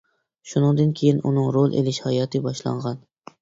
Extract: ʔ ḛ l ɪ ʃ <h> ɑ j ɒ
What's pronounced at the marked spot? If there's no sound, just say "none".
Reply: h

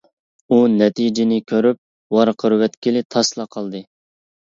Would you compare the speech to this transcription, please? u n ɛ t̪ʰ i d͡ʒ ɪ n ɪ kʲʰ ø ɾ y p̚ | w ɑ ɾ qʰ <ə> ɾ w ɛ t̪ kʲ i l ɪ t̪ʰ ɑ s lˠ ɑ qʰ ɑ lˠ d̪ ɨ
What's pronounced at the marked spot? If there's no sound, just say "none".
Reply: ə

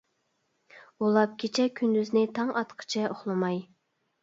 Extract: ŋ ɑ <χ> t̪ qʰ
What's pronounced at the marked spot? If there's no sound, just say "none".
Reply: none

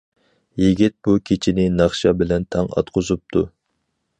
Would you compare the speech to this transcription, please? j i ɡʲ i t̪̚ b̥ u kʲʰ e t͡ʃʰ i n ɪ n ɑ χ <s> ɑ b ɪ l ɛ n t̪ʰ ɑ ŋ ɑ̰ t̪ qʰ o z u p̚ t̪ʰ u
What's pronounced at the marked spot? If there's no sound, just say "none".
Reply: ʃ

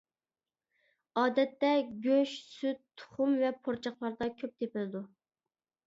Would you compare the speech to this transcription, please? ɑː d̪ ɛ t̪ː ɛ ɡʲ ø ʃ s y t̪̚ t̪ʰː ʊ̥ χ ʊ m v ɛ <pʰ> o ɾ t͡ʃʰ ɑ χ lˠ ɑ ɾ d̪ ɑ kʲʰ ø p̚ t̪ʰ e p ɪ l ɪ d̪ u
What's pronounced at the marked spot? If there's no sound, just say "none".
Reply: pʰ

